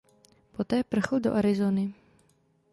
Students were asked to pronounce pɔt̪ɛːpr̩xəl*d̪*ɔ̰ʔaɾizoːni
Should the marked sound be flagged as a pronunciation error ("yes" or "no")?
no